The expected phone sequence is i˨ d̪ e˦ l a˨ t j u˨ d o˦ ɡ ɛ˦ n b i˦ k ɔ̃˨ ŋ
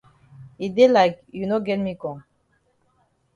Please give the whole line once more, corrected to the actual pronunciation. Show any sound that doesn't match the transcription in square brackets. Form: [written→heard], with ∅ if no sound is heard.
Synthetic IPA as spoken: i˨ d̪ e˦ l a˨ [t→k] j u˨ [d→n] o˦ ɡ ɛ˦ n [b→m] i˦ k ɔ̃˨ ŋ